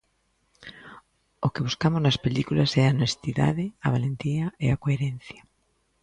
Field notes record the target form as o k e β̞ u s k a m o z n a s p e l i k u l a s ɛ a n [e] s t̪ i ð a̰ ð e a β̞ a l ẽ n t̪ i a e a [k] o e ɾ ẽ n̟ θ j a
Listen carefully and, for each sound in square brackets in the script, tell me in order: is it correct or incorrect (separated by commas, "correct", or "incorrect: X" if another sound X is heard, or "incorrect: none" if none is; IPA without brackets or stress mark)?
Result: correct, correct